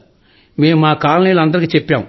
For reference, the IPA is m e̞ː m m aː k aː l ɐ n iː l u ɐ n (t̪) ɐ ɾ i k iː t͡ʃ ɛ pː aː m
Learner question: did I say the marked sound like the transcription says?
no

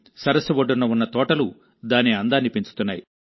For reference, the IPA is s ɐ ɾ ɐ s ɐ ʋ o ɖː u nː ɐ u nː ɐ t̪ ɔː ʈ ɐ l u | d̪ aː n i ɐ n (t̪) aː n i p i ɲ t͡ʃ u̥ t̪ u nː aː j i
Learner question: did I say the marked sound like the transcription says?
no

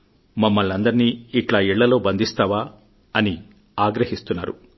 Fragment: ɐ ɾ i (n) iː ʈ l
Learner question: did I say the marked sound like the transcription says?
yes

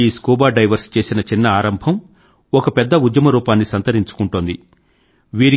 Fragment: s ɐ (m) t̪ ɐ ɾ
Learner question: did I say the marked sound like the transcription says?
no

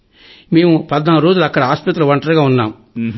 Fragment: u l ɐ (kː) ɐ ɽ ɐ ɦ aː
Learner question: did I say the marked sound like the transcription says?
yes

